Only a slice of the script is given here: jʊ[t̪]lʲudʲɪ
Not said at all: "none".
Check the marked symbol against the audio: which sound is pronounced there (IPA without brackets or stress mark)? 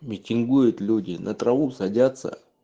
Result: t̪